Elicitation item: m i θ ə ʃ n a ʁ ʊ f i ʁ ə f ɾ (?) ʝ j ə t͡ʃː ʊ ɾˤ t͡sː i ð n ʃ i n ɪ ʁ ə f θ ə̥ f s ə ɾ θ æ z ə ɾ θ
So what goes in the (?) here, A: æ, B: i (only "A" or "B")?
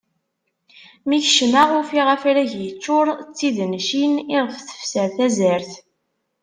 A